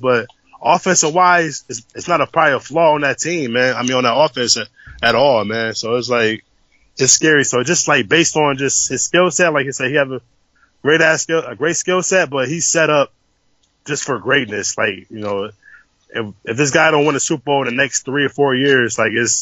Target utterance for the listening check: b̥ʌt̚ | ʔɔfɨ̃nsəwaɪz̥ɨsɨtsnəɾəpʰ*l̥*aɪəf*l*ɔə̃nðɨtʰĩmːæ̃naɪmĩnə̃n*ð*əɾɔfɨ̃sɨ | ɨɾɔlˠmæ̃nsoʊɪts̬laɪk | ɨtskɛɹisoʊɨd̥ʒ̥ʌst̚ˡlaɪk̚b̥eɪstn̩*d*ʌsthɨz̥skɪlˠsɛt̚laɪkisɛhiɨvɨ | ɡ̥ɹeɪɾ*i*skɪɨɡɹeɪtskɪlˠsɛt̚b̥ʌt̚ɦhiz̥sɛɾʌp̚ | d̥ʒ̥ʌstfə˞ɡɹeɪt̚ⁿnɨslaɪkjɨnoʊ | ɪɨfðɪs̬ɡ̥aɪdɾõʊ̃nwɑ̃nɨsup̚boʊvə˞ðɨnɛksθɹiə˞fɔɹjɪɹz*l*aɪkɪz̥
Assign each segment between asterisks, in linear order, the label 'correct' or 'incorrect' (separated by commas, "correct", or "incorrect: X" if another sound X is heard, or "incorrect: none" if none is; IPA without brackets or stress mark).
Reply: incorrect: ɹ̥, correct, correct, incorrect: d͡ʒ, incorrect: æ, correct